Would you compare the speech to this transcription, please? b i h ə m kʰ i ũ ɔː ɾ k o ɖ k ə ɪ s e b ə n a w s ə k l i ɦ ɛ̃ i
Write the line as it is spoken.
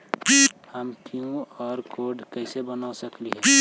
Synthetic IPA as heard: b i h ə m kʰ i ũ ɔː ɾ k o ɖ k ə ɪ s e b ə n a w s ə k l i ɦ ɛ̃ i